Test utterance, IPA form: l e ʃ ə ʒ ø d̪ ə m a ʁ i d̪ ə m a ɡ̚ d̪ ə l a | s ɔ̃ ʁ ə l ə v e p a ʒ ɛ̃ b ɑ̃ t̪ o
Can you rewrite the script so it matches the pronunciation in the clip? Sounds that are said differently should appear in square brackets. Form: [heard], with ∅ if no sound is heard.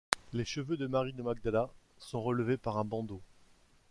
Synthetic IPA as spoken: l e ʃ ə [v] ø d̪ ə m a ʁ i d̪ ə m a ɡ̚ d̪ [a] l a | s ɔ̃ ʁ ə l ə v e p a [ʁ] ɛ̃ b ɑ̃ [d̪] o